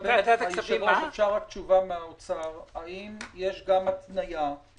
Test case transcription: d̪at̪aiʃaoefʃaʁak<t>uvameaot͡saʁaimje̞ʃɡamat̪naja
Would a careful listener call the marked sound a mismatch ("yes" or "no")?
yes